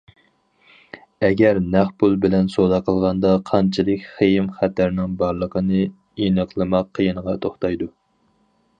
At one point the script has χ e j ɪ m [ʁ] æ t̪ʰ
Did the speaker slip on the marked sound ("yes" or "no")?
yes